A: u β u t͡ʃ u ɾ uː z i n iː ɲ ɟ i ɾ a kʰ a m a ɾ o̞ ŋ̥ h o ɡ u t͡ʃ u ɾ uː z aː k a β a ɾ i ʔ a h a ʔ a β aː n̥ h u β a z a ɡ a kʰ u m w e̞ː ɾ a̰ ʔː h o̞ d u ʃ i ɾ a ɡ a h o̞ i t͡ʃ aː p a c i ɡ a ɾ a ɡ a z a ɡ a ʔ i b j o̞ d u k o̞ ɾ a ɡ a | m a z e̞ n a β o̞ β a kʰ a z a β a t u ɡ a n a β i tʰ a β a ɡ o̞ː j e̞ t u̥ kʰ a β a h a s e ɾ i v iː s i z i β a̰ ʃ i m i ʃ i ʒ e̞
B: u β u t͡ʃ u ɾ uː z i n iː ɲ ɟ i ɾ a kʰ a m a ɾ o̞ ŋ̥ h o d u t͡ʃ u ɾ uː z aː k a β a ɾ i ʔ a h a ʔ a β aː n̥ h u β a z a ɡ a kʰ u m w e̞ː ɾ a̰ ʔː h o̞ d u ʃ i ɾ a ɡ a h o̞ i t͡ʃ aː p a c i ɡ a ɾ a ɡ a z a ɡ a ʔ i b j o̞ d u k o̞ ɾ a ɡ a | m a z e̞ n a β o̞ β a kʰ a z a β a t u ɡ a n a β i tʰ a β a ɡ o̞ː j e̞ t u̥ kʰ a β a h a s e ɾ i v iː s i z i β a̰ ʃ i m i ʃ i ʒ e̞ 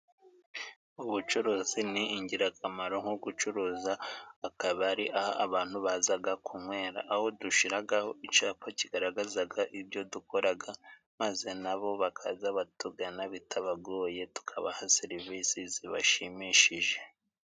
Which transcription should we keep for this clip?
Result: A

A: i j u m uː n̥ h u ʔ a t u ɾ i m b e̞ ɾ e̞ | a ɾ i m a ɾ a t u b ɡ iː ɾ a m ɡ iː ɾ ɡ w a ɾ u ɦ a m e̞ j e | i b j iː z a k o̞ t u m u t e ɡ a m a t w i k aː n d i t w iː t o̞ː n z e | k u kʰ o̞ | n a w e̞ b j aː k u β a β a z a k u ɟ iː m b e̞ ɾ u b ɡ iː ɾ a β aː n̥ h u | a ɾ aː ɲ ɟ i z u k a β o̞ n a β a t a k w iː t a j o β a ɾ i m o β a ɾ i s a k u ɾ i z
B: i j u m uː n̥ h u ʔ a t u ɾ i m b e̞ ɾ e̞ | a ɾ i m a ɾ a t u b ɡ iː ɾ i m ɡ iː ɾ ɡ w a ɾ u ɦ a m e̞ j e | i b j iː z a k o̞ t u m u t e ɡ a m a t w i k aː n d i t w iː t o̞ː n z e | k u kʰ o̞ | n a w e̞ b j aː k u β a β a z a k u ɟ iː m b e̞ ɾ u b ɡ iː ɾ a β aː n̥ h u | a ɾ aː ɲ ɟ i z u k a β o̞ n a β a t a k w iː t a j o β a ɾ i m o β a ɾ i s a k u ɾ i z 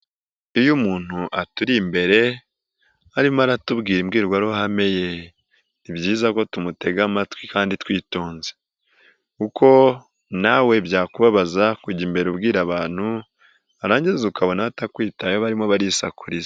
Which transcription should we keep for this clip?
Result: B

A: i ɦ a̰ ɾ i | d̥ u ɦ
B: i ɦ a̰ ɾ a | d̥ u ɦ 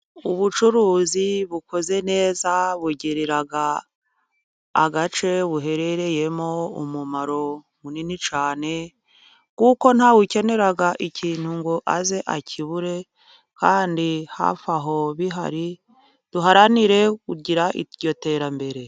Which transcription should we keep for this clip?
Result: A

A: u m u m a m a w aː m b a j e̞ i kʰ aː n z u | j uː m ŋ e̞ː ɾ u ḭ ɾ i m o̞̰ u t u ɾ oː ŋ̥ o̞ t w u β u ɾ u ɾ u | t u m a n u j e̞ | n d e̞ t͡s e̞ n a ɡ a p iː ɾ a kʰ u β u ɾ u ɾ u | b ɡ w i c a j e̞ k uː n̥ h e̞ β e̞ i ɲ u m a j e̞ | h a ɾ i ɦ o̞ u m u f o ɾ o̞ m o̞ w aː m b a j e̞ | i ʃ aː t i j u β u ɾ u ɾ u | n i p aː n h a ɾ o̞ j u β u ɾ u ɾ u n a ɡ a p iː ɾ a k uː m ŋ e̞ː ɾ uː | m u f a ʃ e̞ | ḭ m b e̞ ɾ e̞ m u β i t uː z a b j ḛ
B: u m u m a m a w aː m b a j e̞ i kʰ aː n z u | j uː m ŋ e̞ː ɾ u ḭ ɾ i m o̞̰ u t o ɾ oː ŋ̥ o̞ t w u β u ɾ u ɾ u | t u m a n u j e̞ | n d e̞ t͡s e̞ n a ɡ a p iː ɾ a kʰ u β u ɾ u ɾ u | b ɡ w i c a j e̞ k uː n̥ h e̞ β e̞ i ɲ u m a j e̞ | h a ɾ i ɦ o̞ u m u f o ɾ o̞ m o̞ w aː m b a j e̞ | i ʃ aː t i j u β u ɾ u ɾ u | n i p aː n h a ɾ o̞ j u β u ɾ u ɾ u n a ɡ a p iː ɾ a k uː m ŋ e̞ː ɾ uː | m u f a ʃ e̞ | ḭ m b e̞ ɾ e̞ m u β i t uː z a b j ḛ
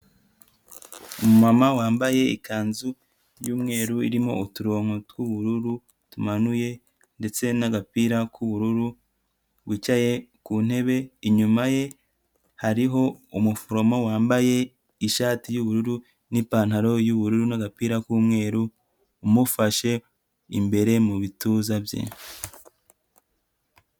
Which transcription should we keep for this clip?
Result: A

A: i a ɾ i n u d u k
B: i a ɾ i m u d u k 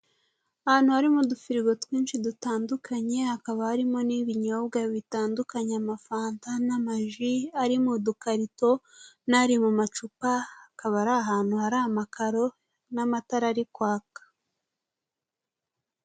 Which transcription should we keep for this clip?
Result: B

